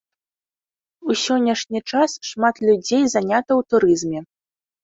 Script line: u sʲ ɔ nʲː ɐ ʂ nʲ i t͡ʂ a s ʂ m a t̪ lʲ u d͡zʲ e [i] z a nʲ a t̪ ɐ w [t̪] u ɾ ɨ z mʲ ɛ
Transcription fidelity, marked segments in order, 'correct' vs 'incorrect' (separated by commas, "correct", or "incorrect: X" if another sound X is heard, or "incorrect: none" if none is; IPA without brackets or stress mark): incorrect: j, correct